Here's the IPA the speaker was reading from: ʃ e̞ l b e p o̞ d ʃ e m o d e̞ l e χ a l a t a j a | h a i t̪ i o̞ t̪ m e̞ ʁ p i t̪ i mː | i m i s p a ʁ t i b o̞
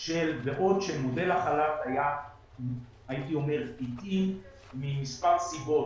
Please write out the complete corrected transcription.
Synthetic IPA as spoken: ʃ e̞ l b e ʔ o̞ d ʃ e m o d e̞ l a χ a l a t a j a | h a i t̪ i o̞ m e̞ ʁ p i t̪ i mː | i m i s p a ʁ s i b o̞

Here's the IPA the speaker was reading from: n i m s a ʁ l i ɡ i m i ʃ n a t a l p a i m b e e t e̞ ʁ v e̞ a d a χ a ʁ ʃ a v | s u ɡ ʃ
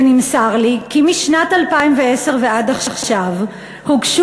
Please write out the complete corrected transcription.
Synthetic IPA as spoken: n i m s a ʁ l i k i m i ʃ n a t a l p a i m v e e s e̞ ʁ v e̞ a d a χ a χ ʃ a v | h u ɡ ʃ

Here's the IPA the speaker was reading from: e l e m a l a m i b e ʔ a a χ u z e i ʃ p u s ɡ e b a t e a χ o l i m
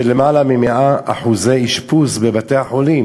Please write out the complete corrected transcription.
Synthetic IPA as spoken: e l e m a l a m i m e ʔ a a ħ u z e i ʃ p u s b e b a t e a ħ o l i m

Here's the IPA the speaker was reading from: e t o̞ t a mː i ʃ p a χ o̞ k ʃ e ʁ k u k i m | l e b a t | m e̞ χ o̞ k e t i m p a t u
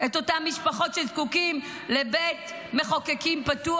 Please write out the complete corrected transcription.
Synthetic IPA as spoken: e t o̞ t a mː i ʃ p a χ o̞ t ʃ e z k u k i m | l e b e t | m e̞ χ o̞ k e k i m p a t u

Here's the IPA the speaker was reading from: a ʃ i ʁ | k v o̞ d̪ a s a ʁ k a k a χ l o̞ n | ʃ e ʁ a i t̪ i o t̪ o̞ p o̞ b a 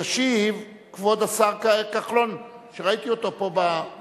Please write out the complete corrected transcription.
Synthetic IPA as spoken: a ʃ i v | k v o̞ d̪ a s a ʁ k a k a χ l o̞ n | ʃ e ʁ a i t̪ i o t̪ o̞ p o̞ b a

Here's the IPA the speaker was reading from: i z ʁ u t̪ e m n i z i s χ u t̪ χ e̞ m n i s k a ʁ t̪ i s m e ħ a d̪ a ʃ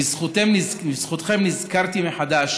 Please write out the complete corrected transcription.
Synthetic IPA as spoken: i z χ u t̪ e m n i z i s χ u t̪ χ e̞ m n i z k a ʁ t̪ i m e ħ a d̪ a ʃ

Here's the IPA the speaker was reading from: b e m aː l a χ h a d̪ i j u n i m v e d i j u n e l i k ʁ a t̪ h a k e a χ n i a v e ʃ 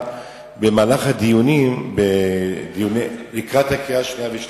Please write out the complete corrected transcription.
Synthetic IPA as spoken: b e m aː l a χ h a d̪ i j u n i m b e d i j u n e l i k ʁ a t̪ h a k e a ʃ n i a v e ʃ

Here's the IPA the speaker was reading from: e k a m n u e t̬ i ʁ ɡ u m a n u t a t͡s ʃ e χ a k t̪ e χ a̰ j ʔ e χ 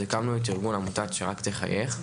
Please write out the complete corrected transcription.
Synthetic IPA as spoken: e k a m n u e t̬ i ʁ ɡ u n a m u t a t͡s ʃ e ʁ a k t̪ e χ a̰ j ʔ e χ

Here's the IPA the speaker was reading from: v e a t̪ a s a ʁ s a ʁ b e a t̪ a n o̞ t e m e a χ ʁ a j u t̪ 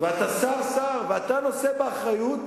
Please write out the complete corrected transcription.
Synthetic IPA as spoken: v e a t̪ a s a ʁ s a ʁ v e a t̪ a n o̞ s e b e a χ ʁ a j u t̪

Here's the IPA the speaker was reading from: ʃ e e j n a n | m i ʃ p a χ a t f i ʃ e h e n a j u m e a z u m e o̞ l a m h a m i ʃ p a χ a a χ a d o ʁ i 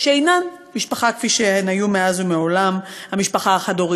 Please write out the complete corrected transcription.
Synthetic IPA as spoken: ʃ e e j n a n | m i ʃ p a χ a k f i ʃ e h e n a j u m e a z u m e o̞ l a m h a m i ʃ p a χ a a χ a d o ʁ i

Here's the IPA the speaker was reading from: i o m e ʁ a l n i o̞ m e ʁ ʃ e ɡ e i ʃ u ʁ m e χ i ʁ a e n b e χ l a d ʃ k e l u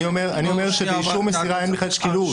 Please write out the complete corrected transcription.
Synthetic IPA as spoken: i o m e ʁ a n i o̞ m e ʁ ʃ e b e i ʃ u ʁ m e s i ʁ a e n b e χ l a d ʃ k i l u

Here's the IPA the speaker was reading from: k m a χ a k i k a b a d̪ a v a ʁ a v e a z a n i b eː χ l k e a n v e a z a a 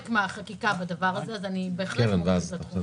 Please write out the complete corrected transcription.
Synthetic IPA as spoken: k m a χ a k i k a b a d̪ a v a ʁ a z e a z a n i b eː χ l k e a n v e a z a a

